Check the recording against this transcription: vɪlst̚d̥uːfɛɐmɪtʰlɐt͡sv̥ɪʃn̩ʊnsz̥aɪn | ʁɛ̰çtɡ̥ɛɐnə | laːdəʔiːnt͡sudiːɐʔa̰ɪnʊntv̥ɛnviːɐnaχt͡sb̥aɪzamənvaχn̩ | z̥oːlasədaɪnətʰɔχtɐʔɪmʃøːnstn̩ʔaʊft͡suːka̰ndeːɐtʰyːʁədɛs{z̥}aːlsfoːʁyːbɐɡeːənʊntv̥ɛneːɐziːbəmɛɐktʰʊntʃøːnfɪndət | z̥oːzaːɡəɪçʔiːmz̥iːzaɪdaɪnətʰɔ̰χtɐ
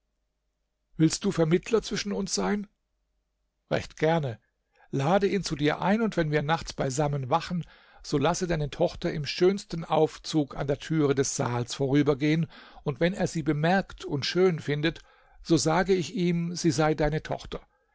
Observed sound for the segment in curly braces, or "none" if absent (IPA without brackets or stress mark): z̥